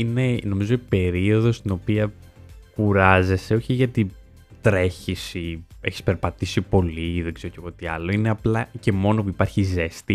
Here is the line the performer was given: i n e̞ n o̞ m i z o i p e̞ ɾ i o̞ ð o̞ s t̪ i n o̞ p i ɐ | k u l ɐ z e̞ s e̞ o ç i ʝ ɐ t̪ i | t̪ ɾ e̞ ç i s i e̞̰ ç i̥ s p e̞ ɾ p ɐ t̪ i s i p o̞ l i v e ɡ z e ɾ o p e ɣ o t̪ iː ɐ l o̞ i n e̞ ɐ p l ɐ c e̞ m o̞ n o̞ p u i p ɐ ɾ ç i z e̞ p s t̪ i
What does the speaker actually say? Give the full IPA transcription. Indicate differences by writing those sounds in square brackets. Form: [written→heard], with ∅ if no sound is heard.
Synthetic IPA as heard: i n e̞ n o̞ m i z o i p e̞ ɾ i o̞ ð o̞ s t̪ i n o̞ p i ɐ | k u [l→ɾ] ɐ z e̞ s e̞ o ç i ʝ ɐ t̪ i | t̪ ɾ e̞ ç i s i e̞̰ ç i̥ s p e̞ ɾ p ɐ t̪ i s i p o̞ l i [v→ð] e ɡ z e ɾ o [p→c] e ɣ o t̪ [iː→i] ɐ l o̞ i n e̞ ɐ p l ɐ c e̞ m o̞ n o̞ p u i p ɐ ɾ ç i z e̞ [p→∅] s t̪ i